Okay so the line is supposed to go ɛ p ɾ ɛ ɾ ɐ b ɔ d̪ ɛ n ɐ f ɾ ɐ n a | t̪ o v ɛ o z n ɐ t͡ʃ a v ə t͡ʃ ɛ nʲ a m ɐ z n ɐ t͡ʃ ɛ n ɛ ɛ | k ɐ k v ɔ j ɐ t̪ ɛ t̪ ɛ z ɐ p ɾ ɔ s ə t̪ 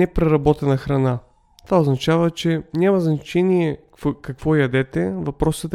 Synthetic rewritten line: ɛ p ɾ ɛ ɾ ɐ b ɔ t̪ ɛ n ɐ x ɾ ɐ n a | t̪ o v a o z n ɐ t͡ʃ a v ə t͡ʃ ɛ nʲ a m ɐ z n ɐ t͡ʃ ɛ n i ɛ | k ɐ k v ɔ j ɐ d̪ ɛ t̪ ɛ v ɐ p ɾ ɔ s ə t̪